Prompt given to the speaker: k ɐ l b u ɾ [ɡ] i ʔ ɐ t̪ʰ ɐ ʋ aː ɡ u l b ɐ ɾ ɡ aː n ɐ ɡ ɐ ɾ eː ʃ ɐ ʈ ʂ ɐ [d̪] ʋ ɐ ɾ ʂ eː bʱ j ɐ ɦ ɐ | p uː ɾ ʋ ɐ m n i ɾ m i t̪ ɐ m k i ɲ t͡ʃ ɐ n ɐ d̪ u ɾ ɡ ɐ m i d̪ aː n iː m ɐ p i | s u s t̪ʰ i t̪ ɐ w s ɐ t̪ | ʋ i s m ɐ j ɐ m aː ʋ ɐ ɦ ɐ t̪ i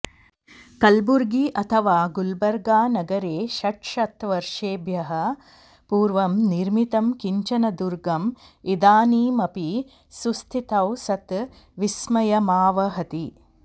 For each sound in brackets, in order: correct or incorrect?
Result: correct, incorrect: t̪

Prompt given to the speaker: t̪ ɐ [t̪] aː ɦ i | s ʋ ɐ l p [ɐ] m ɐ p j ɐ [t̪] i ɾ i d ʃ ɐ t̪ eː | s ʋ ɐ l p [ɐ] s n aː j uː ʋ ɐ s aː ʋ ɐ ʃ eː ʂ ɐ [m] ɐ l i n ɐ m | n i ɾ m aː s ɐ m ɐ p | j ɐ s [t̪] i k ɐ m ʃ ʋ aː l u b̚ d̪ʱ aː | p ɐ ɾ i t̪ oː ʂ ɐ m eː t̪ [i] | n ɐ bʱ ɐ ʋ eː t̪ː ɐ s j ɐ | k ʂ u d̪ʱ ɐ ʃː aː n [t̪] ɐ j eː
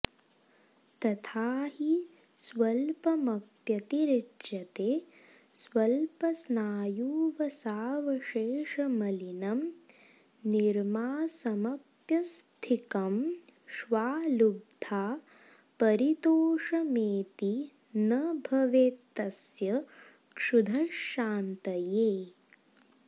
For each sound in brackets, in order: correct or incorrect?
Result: incorrect: t̪ʰ, correct, correct, correct, correct, incorrect: t̪ʰ, correct, correct

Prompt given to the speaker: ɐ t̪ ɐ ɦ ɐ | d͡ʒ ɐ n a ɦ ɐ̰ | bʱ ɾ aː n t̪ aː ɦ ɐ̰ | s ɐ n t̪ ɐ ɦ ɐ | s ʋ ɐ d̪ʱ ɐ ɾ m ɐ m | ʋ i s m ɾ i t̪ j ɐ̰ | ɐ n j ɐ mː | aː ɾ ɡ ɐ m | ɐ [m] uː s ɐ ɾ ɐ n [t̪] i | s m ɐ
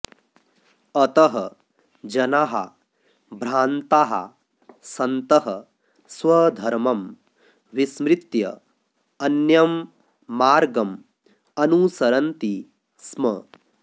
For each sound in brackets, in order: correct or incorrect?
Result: incorrect: n, correct

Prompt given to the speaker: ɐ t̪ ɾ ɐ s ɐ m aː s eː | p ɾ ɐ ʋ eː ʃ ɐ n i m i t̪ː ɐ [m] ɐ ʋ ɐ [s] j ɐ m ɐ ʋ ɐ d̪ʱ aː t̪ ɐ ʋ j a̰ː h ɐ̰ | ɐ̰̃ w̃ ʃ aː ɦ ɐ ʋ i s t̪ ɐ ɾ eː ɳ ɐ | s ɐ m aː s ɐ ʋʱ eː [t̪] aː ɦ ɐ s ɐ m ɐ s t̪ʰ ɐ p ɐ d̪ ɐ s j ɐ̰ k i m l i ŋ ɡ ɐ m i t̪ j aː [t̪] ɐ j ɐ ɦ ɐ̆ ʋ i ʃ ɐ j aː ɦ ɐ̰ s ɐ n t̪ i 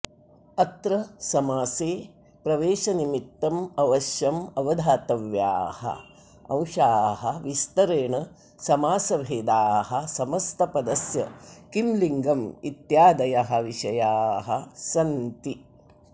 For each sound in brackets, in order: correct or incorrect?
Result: correct, incorrect: ʃ, incorrect: d̪, incorrect: d̪

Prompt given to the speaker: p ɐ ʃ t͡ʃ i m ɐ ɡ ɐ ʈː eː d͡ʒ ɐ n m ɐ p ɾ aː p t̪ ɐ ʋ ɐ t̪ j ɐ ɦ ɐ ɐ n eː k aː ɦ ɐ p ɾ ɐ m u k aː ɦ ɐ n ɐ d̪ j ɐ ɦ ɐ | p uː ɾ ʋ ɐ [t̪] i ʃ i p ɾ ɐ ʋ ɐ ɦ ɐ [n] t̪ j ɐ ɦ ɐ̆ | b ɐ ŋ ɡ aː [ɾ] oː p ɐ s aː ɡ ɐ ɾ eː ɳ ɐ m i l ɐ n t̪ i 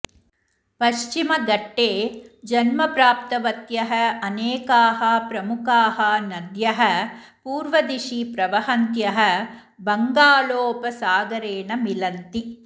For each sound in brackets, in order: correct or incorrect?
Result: incorrect: d̪, correct, incorrect: l

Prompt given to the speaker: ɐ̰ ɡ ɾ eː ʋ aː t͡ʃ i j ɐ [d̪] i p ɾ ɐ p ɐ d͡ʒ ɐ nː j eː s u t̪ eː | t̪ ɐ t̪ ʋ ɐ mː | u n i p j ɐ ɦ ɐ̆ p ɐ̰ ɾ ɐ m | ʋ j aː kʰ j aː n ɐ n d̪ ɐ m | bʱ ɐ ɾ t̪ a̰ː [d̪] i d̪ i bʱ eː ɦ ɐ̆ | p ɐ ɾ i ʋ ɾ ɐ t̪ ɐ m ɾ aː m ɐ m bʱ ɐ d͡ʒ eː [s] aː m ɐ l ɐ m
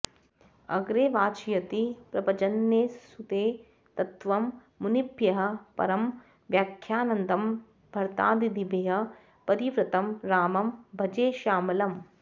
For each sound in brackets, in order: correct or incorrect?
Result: incorrect: t̪, correct, incorrect: ʃ

